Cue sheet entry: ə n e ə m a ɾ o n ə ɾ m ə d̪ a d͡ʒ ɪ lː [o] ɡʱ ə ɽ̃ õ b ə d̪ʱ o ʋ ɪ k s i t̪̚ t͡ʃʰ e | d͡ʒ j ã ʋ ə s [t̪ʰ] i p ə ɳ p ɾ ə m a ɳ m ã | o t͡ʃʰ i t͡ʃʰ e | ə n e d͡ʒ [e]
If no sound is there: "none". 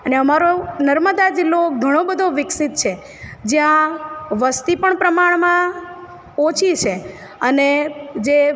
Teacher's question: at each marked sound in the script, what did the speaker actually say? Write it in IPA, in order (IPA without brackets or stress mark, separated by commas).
o, t̪, e